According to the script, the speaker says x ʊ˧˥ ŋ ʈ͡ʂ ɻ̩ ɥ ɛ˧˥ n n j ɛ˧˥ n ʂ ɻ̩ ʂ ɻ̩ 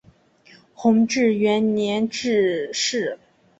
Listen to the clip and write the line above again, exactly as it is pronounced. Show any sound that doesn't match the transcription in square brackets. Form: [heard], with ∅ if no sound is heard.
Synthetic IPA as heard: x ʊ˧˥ ŋ ʈ͡ʂ ɻ̩ ɥ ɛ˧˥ n n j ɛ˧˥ n [ʈ͡ʂ] ɻ̩ ʂ ɻ̩